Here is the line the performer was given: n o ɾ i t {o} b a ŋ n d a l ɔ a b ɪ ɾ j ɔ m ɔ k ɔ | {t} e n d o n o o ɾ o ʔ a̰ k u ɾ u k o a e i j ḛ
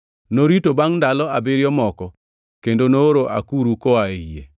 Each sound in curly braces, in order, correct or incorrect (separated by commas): correct, incorrect